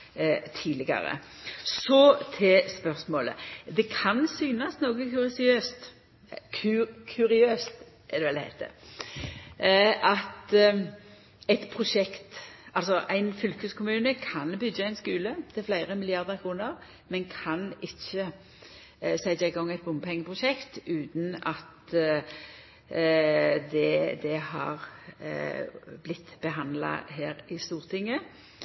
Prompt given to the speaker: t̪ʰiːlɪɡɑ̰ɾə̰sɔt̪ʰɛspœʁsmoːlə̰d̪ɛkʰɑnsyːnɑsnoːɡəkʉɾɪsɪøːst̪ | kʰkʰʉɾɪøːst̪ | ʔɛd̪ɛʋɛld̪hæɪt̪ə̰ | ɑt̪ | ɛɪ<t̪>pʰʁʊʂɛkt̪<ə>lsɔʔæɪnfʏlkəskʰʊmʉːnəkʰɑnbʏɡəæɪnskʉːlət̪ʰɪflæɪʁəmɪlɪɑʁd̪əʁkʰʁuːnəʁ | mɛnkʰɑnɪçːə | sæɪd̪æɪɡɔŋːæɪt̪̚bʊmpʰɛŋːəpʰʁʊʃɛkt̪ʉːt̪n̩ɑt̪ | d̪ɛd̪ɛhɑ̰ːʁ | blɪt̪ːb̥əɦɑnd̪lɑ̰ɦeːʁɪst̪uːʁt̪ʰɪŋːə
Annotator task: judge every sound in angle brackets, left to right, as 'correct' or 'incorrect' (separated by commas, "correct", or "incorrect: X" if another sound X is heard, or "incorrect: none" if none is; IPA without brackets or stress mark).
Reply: correct, incorrect: ɑ